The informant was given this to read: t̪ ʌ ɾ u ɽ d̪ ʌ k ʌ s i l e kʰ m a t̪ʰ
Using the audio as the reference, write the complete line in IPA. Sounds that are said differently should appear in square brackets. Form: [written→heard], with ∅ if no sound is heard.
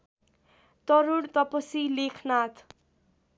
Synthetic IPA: t̪ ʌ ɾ u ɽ [d̪→t̪] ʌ [k→p] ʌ s i l e kʰ [m→n] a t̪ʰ